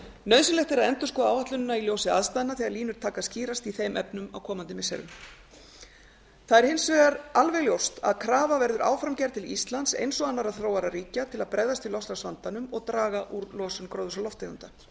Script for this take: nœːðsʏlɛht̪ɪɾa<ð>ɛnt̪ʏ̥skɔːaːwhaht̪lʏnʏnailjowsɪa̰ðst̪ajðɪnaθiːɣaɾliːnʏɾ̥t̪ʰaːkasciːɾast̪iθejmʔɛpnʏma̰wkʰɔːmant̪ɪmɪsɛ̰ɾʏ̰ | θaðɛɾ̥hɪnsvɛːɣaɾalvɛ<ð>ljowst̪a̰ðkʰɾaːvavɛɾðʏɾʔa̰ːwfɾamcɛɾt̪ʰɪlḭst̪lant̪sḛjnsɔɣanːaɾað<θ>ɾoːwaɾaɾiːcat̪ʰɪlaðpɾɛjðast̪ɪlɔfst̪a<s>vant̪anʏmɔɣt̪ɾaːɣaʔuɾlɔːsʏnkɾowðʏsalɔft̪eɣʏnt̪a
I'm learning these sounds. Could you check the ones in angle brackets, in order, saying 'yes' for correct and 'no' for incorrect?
yes, no, yes, yes

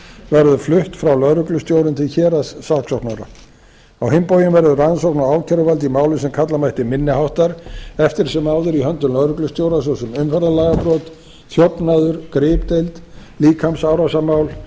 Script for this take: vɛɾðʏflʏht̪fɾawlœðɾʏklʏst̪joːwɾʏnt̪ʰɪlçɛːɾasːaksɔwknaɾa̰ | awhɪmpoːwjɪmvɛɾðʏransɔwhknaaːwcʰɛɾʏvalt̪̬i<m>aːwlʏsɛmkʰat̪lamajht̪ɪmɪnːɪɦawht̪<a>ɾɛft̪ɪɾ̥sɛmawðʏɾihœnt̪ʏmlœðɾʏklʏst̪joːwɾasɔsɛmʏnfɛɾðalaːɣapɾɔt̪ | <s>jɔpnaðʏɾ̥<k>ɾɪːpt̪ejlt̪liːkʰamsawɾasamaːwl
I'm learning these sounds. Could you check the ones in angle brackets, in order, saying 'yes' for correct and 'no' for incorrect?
yes, yes, no, yes

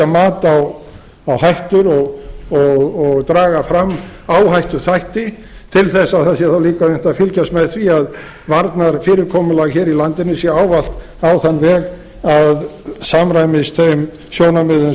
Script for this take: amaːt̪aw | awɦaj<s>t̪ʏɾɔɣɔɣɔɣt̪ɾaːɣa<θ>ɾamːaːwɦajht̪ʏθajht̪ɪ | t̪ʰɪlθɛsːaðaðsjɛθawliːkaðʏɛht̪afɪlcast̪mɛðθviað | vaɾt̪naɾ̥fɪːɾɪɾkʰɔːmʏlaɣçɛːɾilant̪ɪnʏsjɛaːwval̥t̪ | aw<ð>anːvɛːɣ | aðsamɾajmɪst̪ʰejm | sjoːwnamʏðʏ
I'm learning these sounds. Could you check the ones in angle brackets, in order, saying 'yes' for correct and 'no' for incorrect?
no, no, no

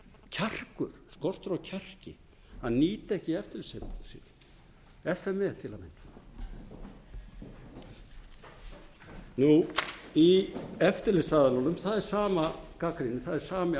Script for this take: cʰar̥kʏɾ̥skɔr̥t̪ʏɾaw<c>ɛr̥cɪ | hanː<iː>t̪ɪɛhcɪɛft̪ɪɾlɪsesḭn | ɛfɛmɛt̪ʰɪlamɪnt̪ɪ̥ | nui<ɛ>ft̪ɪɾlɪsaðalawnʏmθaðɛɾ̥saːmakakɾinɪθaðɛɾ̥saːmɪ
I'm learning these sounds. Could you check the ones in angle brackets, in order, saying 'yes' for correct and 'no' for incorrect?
no, yes, yes

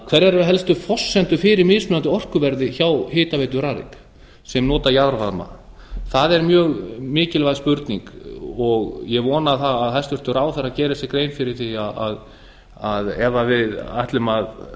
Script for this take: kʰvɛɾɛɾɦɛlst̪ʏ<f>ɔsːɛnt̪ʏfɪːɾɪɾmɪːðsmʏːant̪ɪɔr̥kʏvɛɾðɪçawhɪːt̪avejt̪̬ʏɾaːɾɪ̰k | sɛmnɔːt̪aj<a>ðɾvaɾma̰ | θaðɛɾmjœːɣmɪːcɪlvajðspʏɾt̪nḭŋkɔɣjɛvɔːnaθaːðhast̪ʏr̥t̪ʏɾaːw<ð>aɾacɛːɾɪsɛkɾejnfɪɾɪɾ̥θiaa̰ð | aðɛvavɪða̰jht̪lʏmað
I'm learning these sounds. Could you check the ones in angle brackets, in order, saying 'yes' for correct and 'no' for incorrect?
yes, yes, no

